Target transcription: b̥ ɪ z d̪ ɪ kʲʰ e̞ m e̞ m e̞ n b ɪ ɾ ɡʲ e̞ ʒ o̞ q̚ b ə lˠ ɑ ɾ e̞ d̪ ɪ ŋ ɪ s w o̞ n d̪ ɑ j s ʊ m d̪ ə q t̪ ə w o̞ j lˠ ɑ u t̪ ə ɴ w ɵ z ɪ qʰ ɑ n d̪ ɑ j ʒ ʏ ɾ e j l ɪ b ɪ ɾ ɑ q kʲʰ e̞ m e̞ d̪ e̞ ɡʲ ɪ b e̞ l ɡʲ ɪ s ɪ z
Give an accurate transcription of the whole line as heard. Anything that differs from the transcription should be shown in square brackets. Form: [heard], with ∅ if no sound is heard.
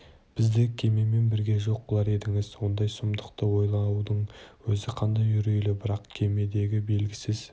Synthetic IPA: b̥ ɪ z d̪ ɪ kʲʰ e̞ m e̞ m e̞ n b ɪ ɾ ɡʲ e̞ ʒ o̞ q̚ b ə lˠ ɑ ɾ e̞ d̪ ɪ ŋ ɪ [z] w o̞ n d̪ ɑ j s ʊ m d̪ ə q t̪ ə w o̞ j lˠ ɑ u [d̪] ə ɴ w ɵ z ɪ qʰ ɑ n d̪ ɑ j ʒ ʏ ɾ e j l ɪ b ɪ ɾ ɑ q kʲʰ e̞ m e̞ d̪ e̞ ɡʲ ɪ b e̞ l ɡʲ ɪ s ɪ z